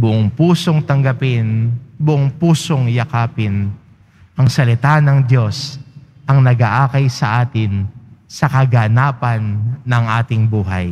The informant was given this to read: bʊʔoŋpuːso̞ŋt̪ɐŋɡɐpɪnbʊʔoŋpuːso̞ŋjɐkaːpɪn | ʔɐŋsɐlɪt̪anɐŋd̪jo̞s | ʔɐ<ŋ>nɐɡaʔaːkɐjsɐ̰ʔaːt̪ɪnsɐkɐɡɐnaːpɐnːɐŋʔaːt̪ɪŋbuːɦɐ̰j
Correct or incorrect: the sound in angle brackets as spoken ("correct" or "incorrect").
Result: correct